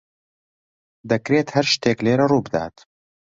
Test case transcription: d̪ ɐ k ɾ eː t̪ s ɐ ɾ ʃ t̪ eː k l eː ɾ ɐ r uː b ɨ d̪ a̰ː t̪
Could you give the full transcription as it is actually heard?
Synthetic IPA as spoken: d̪ ɐ k ɾ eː t̪ h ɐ ɾ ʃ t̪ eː k l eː ɾ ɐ r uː b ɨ d̪ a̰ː t̪